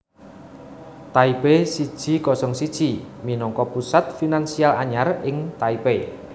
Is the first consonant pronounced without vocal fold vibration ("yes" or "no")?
yes